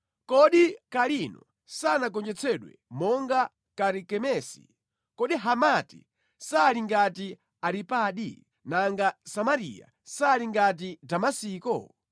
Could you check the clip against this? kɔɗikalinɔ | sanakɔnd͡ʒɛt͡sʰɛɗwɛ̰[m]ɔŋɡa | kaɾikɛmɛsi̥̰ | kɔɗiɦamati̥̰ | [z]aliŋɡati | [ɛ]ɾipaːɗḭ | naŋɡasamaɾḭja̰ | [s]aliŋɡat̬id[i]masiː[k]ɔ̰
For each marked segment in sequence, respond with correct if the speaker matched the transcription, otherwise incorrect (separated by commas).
correct, incorrect, incorrect, correct, incorrect, correct